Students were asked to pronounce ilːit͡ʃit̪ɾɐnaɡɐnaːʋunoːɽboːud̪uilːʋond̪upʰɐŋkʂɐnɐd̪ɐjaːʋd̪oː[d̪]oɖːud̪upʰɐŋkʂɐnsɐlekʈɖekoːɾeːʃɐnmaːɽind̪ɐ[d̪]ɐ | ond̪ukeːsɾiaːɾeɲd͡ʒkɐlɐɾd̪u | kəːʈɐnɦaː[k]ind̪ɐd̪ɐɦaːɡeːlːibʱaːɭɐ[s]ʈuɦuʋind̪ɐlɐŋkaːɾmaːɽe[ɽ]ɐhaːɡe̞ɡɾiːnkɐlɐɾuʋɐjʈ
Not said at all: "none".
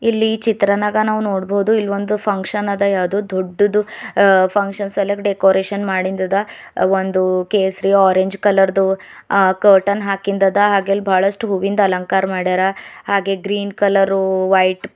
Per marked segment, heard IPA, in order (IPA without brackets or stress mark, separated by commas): d̪, d̪, k, ʂ, ɾ